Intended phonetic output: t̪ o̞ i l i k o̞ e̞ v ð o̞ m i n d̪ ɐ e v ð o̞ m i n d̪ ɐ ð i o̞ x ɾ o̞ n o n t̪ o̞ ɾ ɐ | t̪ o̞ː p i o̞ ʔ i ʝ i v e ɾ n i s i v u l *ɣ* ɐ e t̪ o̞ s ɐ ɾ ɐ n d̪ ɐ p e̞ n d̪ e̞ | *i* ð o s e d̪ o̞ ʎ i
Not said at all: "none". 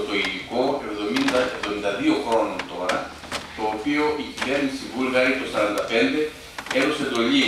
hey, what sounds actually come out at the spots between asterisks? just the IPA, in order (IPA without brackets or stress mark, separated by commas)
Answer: ɣ, e